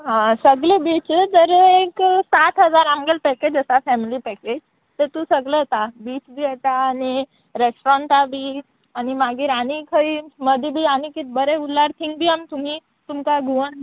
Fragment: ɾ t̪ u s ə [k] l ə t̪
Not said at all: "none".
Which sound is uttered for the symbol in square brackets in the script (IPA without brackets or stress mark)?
ɡ